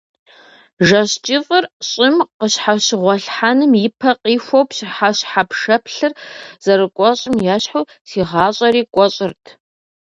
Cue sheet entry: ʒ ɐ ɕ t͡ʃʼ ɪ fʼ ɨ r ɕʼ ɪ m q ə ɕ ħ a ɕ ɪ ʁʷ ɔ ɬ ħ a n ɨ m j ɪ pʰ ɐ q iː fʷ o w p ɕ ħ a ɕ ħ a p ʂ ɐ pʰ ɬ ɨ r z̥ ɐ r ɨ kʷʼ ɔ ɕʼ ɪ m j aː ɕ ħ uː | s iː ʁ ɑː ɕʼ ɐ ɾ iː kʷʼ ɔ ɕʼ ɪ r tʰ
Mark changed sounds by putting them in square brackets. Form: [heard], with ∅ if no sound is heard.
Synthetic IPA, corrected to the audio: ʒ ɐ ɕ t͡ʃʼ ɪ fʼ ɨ r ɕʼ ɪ m q ə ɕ ħ a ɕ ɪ ʁʷ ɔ ɬ ħ a n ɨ m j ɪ pʰ ɐ q iː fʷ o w p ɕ ħ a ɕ ħ a p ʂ ɐ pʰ ɬ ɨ r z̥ ɐ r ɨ kʷʼ ɔ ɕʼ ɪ m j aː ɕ ħ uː | s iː ʁ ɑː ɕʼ ɐ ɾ iː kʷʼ ɔ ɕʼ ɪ r tʰ

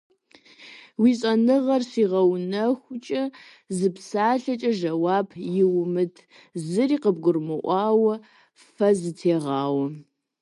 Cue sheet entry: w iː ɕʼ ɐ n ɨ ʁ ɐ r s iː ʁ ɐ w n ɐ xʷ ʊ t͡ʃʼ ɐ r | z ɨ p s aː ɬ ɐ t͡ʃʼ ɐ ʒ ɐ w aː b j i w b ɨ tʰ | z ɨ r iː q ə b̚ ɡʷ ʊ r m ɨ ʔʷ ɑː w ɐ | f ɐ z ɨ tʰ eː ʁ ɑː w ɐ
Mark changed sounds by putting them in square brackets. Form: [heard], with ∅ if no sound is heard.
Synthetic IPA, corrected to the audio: w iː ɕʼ ɐ n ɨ ʁ ɐ r s iː ʁ ɐ w n ɐ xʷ ʊ t͡ʃʼ ɐ [∅] | z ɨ p s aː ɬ ɐ t͡ʃʼ ɐ ʒ ɐ w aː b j [ɪ] w [m] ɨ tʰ | z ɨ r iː q ə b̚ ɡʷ ʊ r m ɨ ʔʷ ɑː w ɐ | f ɐ z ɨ tʰ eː ʁ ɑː w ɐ

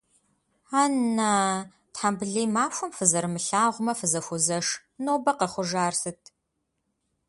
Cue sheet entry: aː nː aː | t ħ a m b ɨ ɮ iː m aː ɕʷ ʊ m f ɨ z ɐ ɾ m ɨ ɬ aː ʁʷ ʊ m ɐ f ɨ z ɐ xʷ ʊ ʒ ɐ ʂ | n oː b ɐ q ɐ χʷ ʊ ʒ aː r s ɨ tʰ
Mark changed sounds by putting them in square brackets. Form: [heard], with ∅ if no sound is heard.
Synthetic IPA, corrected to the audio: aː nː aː | t ħ a m b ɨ ɮ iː m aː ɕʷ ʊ m f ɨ z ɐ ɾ m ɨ ɬ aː ʁʷ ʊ m ɐ f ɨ z ɐ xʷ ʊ [z] ɐ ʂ | n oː b ɐ q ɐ χʷ ʊ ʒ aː r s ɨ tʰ

